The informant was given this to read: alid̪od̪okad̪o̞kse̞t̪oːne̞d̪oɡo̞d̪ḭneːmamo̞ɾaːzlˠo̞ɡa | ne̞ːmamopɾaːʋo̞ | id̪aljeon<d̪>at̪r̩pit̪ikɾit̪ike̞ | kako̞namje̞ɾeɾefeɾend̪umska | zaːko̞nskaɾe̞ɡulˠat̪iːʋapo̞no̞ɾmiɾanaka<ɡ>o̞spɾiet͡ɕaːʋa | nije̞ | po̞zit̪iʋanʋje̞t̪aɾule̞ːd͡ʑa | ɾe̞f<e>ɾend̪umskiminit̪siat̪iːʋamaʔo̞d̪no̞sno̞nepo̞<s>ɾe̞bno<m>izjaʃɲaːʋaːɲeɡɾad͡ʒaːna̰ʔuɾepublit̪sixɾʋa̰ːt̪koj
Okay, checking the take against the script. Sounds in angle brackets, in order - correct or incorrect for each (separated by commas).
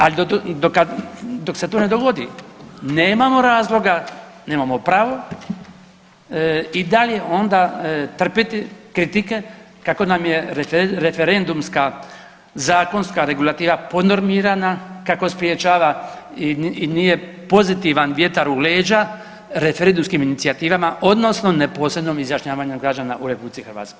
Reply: correct, incorrect, correct, correct, correct